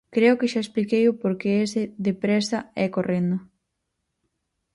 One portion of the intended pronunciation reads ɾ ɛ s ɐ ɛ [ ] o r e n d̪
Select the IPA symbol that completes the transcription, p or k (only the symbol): k